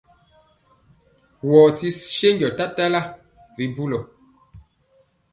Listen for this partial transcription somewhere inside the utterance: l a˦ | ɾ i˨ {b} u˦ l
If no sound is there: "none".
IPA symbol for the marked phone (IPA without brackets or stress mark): b